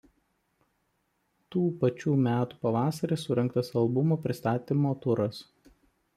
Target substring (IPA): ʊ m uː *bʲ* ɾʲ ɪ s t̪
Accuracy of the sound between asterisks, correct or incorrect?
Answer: incorrect